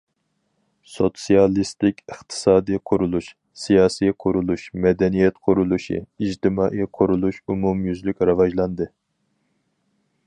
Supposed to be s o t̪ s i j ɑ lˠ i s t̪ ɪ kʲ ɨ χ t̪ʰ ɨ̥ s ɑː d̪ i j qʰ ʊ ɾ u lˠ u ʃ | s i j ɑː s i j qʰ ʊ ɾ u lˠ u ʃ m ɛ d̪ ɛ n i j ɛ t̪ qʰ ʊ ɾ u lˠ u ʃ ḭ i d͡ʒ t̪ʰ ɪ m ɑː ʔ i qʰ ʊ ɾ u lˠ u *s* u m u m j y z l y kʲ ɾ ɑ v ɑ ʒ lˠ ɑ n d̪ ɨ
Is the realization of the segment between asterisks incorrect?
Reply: yes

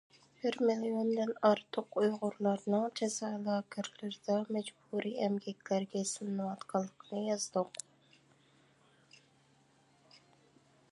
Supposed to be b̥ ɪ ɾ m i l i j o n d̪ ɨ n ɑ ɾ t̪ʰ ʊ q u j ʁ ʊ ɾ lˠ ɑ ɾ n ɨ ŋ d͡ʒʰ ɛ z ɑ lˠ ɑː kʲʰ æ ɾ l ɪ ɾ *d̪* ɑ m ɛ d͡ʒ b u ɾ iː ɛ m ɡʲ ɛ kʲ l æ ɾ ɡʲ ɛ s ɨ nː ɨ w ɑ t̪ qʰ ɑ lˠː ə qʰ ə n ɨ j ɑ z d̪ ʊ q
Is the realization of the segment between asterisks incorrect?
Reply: no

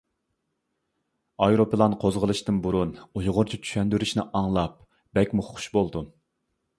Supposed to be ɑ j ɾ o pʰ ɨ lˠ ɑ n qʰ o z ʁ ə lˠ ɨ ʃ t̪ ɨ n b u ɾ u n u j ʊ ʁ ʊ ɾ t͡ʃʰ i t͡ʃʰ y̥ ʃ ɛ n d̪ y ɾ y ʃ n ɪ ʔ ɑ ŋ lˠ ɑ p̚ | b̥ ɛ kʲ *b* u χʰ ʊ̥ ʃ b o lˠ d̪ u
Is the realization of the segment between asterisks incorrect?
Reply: yes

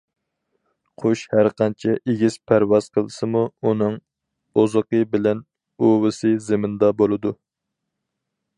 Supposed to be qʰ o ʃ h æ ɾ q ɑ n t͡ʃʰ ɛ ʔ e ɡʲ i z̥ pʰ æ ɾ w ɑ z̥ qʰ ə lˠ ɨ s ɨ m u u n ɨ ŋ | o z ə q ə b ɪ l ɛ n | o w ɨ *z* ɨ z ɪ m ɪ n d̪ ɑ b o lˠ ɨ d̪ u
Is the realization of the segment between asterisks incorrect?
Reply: yes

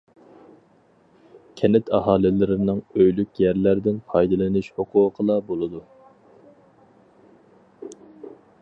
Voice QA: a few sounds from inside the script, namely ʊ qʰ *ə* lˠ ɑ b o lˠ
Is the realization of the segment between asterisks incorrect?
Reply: no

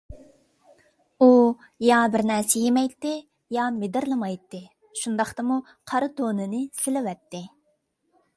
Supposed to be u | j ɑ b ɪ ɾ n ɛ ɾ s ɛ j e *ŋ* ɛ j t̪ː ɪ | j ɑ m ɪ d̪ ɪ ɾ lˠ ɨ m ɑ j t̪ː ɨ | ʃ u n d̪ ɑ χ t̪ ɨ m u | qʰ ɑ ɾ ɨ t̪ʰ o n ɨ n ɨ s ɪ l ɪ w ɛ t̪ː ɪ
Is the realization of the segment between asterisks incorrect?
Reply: yes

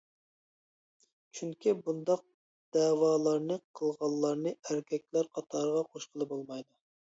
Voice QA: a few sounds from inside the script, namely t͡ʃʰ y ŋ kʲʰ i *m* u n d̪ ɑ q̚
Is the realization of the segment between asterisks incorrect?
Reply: yes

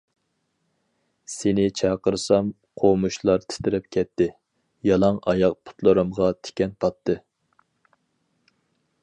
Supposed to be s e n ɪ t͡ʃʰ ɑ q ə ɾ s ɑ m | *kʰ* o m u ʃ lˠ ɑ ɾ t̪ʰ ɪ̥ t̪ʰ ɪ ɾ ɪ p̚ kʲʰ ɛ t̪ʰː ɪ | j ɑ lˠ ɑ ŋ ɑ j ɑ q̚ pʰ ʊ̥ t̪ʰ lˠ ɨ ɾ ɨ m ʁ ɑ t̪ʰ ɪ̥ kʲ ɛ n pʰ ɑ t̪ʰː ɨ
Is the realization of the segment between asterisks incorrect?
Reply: yes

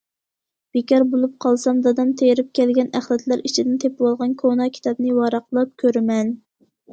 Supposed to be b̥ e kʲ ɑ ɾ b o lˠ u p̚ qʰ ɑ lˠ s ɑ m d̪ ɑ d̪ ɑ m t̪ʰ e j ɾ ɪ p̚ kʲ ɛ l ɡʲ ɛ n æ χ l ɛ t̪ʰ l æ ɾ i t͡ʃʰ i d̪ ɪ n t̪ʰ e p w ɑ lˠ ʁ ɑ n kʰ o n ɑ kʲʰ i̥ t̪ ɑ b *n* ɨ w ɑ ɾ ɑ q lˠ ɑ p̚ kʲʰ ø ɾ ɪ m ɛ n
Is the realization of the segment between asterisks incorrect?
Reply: no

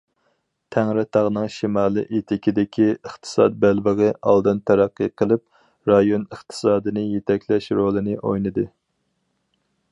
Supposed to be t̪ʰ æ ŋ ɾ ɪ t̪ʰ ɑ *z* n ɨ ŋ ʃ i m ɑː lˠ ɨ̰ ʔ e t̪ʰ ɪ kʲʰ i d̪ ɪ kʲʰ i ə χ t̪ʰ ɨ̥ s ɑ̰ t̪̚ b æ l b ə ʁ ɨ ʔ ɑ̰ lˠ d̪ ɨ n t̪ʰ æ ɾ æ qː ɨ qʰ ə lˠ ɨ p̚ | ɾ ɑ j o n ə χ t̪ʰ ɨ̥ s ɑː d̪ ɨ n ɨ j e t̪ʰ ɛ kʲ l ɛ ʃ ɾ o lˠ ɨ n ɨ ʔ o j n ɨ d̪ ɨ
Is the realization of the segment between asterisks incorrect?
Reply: yes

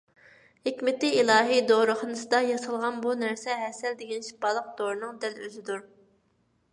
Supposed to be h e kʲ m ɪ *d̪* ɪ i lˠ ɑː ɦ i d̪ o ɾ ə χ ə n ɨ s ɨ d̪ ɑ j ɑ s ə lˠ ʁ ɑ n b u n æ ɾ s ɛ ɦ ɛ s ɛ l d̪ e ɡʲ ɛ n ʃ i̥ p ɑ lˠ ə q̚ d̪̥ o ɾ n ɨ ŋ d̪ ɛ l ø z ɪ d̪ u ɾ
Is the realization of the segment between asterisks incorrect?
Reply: yes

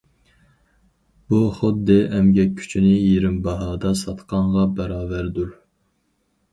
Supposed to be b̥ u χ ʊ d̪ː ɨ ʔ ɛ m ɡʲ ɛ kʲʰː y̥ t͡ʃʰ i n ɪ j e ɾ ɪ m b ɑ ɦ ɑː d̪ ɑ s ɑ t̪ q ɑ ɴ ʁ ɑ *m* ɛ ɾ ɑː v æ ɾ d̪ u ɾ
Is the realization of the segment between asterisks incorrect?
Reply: yes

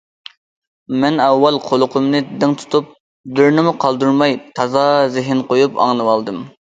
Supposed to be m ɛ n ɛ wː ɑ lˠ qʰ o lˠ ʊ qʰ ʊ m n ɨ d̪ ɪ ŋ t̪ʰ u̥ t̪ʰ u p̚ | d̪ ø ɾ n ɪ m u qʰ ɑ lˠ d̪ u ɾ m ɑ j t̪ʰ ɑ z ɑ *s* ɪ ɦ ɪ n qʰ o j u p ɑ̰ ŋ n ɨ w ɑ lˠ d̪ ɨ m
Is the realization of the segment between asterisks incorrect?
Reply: yes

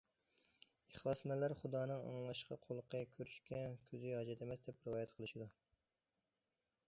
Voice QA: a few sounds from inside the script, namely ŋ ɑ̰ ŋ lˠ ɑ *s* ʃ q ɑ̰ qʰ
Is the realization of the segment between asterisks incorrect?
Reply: yes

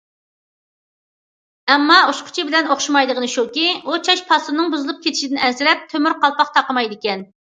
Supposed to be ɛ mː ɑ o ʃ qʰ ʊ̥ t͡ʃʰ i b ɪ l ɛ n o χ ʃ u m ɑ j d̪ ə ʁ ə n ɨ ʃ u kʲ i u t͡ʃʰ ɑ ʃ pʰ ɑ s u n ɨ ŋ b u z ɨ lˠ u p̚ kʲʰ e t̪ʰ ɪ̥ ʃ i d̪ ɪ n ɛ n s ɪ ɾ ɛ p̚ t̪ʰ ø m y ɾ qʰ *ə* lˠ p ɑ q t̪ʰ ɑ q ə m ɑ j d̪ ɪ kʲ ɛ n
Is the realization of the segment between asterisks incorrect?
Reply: yes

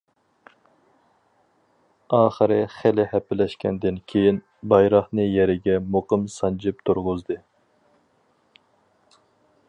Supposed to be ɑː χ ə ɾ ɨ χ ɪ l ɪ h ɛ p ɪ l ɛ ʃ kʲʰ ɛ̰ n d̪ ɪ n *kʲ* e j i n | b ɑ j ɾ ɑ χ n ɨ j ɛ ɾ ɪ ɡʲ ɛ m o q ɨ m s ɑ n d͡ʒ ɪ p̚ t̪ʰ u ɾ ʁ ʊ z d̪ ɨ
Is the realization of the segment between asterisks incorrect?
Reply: yes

